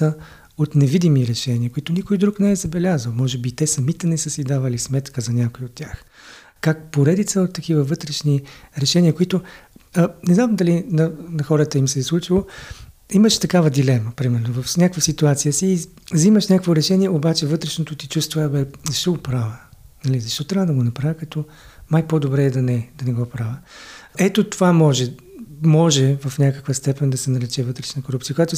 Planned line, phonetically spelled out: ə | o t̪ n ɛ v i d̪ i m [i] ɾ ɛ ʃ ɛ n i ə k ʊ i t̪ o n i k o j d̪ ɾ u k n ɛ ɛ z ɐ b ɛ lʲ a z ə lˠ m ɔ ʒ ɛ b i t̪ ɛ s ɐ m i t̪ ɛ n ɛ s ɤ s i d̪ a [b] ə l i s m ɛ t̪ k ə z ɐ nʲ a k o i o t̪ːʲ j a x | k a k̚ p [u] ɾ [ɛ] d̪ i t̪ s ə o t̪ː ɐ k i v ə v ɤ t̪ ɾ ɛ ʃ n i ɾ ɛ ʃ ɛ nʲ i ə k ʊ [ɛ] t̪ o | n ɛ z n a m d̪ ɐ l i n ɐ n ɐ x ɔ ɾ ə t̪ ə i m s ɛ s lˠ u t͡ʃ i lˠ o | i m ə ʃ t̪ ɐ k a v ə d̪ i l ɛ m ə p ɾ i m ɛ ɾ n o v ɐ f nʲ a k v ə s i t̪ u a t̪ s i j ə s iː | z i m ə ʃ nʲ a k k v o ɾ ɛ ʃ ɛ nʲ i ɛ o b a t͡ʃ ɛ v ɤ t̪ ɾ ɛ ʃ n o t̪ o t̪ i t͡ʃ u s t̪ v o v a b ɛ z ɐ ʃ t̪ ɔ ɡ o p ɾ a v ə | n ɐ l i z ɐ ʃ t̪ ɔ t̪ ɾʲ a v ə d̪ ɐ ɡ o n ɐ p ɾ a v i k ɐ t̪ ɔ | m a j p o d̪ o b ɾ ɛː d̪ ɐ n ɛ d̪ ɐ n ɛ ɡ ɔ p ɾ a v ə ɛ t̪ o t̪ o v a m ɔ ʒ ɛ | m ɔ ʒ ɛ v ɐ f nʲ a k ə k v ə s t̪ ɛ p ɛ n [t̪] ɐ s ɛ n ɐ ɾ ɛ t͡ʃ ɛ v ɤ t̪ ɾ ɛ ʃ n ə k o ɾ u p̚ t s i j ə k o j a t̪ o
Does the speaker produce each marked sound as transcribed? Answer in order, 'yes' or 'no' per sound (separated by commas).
yes, no, no, yes, no, no